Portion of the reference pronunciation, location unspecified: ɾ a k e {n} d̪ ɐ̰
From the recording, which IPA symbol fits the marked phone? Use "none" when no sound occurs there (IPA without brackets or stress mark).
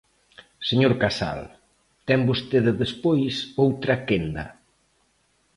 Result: n